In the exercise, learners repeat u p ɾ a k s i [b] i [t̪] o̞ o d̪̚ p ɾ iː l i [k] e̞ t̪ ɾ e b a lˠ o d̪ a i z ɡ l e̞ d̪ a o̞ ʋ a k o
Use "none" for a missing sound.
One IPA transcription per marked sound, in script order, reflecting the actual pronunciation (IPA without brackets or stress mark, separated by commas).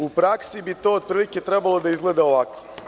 b, t̪, k